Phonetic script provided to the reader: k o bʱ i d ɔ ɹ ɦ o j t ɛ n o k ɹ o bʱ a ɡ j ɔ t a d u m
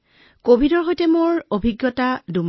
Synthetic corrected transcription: k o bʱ i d ɔ ɹ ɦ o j t ɛ m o ɹ o bʱ i ɡ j ɔ t a d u m